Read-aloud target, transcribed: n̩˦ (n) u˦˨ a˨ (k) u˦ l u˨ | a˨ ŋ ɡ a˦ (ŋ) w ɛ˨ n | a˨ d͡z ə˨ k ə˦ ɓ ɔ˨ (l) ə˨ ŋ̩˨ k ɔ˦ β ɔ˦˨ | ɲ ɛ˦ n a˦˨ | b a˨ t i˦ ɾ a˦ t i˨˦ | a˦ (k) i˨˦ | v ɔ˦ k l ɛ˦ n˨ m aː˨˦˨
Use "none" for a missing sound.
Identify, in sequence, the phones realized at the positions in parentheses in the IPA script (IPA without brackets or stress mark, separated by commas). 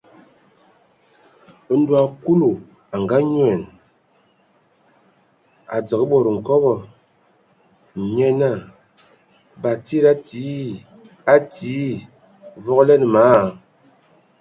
d, k, ɲ, ɾ, t